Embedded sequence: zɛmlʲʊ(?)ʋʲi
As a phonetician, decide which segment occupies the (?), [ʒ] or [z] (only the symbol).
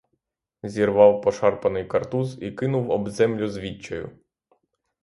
z